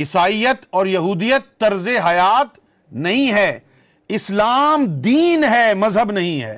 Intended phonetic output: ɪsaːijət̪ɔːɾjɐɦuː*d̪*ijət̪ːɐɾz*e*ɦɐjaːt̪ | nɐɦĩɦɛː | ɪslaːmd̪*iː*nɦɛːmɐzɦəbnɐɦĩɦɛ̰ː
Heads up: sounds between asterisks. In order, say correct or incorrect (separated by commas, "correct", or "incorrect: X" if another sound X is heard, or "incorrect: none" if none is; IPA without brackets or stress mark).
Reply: correct, correct, correct